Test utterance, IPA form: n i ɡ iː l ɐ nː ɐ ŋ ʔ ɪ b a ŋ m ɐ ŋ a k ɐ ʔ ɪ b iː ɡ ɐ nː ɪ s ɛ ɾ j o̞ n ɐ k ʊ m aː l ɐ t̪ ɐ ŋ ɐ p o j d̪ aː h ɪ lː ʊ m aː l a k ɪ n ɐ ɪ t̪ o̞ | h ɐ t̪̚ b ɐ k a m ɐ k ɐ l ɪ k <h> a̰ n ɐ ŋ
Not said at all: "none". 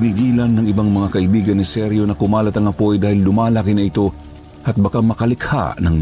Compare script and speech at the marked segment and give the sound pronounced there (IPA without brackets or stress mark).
h